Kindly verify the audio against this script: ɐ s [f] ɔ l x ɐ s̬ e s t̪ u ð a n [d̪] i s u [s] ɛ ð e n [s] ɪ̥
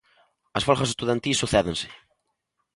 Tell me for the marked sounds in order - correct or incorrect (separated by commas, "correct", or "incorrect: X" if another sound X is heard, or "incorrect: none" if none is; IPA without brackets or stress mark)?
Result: correct, incorrect: t̪, incorrect: θ, correct